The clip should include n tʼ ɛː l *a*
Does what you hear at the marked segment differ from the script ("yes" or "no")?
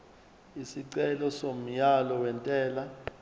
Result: no